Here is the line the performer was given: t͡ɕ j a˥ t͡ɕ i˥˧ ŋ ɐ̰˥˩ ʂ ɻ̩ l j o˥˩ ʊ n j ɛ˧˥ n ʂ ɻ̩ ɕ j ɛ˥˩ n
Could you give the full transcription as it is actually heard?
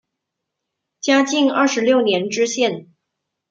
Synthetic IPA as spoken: t͡ɕ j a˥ t͡ɕ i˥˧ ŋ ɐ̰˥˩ ʂ ɻ̩ l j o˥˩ ʊ n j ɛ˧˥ n ʈ͡ʂ ɻ̩ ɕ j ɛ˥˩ n

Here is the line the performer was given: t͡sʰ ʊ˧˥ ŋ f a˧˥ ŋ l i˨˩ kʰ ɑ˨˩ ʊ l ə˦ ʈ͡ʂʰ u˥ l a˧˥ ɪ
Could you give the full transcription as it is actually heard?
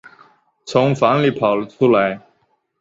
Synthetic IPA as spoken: t͡sʰ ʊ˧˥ ŋ f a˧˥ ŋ l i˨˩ pʰ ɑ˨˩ ʊ l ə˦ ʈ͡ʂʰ u˥ l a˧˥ ɪ

